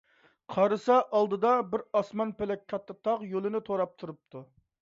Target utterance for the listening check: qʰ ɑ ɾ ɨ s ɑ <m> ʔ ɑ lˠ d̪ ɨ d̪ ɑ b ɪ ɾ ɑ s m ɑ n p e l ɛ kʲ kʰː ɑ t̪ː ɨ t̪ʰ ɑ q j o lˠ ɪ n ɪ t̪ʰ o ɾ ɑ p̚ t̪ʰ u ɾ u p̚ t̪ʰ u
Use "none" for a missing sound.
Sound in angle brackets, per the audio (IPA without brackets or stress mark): none